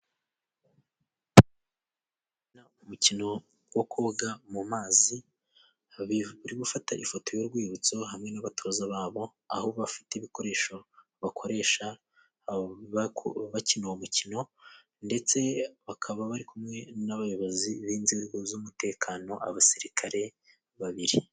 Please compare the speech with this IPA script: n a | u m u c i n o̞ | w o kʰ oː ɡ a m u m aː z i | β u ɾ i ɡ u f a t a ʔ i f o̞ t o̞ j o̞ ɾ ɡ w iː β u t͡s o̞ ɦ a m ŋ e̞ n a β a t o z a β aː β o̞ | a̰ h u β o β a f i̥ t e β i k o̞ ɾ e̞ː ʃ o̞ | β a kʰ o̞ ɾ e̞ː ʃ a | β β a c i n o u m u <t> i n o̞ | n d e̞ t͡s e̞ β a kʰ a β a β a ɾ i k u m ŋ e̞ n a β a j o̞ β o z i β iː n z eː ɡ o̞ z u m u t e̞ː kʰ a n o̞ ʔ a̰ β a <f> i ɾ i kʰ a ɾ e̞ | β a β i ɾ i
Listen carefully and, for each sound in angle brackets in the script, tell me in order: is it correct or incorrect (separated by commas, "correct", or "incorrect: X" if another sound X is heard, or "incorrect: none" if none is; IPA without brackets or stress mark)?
incorrect: c, incorrect: s